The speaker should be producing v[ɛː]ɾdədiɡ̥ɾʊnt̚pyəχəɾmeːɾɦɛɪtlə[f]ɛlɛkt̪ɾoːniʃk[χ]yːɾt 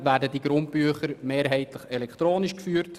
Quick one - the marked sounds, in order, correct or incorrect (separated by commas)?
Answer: incorrect, incorrect, incorrect